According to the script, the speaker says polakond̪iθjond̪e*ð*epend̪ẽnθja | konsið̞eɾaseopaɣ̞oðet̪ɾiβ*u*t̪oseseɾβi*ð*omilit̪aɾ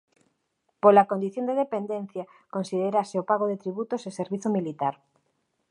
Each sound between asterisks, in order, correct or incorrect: correct, correct, incorrect: θ

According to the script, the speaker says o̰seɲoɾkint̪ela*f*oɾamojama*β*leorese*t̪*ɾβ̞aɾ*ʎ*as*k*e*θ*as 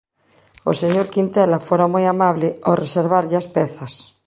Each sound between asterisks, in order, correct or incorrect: correct, correct, incorrect: none, correct, incorrect: p, correct

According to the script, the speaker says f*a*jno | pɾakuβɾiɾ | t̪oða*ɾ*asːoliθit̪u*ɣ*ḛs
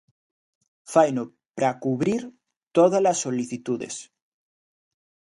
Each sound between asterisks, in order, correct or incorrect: correct, incorrect: l, incorrect: ð

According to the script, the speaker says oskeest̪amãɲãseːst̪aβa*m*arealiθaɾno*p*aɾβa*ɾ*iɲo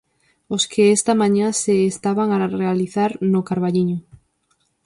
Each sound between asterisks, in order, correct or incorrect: incorrect: ŋ, incorrect: k, incorrect: ʎ

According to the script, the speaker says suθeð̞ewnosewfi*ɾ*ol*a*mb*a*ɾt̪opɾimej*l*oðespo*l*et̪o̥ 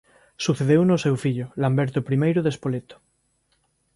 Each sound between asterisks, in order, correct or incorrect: incorrect: ʎ, correct, incorrect: e, incorrect: ɾ, correct

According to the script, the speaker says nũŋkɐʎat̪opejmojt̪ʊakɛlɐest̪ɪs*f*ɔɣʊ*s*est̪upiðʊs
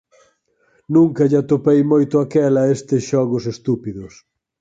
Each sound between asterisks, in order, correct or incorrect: incorrect: ʃ, correct

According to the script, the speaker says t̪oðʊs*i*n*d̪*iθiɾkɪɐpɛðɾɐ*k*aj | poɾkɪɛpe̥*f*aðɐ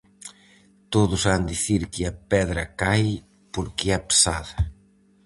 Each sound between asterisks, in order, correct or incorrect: incorrect: a, correct, correct, incorrect: s

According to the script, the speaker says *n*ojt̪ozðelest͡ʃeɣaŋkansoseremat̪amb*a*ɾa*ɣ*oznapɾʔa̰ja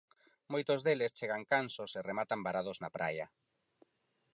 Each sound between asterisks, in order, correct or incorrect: incorrect: m, correct, incorrect: ð

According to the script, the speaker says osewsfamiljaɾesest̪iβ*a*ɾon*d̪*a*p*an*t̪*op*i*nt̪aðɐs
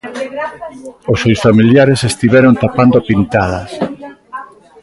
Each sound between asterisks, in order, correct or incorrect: incorrect: ɛ, incorrect: t̪, correct, incorrect: d̪, correct

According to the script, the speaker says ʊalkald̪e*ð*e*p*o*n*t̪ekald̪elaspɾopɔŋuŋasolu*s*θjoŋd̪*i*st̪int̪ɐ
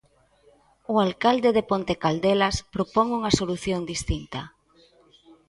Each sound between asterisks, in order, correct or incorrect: correct, correct, correct, incorrect: none, correct

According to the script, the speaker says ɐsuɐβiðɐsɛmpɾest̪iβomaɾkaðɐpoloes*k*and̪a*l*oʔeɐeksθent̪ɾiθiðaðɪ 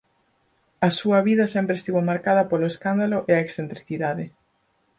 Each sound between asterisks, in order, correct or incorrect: correct, correct

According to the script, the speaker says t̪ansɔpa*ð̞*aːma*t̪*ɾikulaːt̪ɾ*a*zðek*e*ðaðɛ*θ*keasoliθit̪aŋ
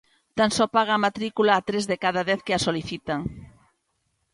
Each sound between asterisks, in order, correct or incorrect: incorrect: ɣ̞, correct, incorrect: e, incorrect: a, correct

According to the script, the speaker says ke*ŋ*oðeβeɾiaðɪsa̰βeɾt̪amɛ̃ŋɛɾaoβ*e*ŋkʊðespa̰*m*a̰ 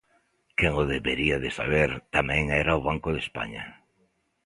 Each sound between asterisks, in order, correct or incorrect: correct, incorrect: a, incorrect: ɲ

